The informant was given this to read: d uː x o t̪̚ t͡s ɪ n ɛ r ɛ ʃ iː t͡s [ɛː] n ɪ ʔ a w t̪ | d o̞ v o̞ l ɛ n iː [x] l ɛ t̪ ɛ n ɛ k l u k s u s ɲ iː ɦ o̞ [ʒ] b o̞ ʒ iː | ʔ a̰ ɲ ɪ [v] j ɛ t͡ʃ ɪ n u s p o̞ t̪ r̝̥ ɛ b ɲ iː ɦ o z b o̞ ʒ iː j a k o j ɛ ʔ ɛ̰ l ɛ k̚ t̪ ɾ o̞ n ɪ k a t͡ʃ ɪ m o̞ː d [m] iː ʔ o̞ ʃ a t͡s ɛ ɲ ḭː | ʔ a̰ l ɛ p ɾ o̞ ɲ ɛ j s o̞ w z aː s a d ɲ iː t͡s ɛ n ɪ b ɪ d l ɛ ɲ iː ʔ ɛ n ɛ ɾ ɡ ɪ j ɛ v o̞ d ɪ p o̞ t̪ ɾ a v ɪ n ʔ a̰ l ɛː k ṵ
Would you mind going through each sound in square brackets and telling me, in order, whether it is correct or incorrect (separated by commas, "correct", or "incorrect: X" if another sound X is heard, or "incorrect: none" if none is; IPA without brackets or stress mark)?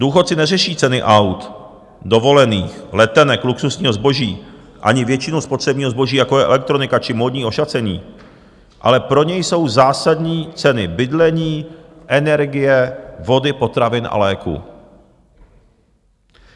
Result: incorrect: ɛ, correct, incorrect: z, correct, incorrect: ɲ